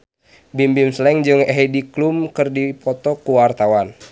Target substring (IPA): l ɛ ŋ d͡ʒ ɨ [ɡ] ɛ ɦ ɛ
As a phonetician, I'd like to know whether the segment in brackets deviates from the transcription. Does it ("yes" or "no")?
yes